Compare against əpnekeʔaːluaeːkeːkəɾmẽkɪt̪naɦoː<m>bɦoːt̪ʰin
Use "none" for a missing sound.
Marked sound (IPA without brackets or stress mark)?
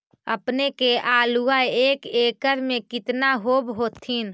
none